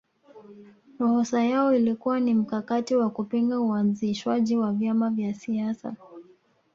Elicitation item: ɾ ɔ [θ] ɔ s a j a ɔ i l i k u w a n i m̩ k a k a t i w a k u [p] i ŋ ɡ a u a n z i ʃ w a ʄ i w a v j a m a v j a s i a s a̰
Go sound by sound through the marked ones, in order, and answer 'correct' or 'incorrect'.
incorrect: h, correct

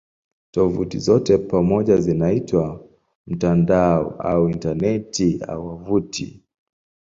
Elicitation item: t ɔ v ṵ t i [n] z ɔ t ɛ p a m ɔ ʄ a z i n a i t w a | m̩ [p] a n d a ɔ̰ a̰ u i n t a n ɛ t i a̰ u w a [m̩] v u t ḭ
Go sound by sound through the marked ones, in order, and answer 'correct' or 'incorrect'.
incorrect: none, incorrect: t, incorrect: none

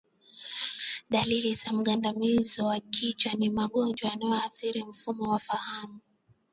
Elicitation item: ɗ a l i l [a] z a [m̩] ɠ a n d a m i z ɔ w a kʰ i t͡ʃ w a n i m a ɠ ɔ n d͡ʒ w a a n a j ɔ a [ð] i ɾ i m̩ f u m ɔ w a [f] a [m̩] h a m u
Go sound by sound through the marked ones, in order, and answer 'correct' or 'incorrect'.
incorrect: i, correct, incorrect: θ, correct, incorrect: none

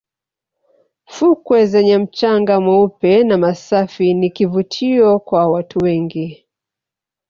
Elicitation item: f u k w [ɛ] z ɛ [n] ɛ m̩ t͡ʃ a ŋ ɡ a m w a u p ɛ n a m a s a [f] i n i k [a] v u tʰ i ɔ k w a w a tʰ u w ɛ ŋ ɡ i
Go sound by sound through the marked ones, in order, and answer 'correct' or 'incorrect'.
correct, incorrect: ɲ, correct, incorrect: i

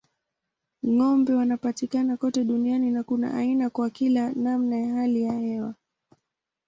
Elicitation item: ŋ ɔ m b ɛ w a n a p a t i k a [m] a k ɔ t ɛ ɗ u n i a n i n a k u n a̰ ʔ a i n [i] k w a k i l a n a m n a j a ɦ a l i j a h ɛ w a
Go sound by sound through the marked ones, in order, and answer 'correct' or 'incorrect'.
incorrect: n, incorrect: a

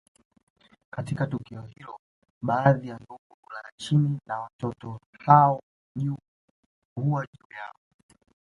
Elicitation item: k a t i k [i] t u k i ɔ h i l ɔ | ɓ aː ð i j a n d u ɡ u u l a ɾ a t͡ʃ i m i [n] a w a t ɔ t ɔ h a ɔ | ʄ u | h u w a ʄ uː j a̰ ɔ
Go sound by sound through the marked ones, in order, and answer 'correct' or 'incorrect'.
incorrect: a, correct

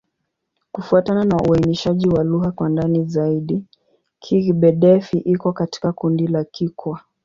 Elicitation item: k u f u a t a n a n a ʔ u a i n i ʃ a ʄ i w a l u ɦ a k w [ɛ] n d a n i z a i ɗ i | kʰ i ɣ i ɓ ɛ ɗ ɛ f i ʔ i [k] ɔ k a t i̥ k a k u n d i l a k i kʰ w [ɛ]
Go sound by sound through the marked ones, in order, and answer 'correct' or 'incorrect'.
incorrect: a, correct, incorrect: a

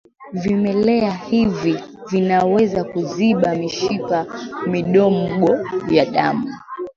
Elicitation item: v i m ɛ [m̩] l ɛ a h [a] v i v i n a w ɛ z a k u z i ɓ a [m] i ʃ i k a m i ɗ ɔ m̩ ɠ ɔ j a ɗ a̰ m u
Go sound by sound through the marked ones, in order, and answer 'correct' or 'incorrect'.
incorrect: none, incorrect: i, correct

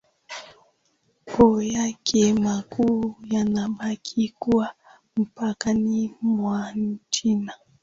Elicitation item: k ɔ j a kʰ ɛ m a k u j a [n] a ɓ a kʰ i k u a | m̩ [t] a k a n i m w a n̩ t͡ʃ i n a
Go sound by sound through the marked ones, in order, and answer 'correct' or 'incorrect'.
correct, incorrect: p

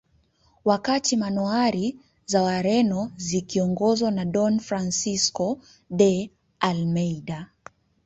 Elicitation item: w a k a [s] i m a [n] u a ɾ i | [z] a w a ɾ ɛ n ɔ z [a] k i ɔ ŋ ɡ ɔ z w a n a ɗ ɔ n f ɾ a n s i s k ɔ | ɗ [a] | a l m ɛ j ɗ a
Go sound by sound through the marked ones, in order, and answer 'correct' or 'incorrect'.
incorrect: t, correct, correct, incorrect: i, incorrect: ɛ

